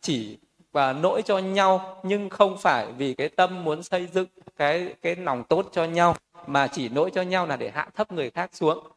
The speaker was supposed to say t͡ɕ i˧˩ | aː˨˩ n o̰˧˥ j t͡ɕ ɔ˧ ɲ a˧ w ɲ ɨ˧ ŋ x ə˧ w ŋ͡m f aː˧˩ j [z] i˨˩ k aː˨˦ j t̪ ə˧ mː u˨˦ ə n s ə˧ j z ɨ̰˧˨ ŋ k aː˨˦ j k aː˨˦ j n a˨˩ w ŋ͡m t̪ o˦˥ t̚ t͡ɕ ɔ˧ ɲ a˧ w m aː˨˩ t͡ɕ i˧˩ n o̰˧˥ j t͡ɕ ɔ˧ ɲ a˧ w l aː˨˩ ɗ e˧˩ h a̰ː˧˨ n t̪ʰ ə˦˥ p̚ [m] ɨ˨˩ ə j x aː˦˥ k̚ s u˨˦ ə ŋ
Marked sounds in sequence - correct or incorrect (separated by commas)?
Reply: incorrect, incorrect